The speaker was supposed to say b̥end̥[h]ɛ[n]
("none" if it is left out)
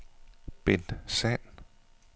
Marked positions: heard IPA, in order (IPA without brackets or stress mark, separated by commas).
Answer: s, n